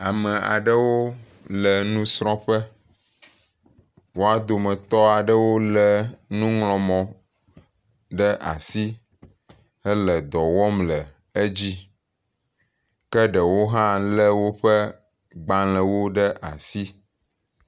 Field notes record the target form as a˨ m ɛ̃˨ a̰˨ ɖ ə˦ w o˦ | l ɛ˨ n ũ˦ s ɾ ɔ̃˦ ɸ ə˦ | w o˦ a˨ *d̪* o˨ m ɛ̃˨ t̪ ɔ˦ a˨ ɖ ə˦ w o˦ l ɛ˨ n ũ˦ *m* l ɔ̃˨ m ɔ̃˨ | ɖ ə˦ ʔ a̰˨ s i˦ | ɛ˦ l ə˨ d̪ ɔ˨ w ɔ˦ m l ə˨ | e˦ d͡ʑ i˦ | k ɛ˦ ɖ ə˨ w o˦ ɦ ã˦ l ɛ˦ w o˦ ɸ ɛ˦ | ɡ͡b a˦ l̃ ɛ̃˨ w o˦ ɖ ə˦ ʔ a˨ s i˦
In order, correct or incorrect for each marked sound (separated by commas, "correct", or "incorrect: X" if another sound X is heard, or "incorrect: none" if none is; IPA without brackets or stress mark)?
correct, incorrect: ŋ